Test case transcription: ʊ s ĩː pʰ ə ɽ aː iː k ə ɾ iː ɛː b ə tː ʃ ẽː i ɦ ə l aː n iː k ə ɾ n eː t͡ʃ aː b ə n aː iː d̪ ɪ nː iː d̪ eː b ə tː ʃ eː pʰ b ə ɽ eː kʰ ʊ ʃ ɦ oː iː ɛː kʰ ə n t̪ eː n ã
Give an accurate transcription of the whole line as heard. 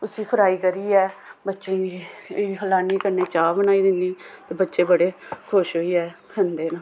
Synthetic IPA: ʊ s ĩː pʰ ə ɾ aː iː k ə ɾ iː ɛː b ə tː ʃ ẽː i ɦ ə l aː n iː k ə ɾ n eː t͡ʃ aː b ə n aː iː d̪ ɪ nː iː t̪ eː b ə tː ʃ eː b ə ɽ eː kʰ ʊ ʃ ɦ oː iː ɛː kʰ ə n d̪ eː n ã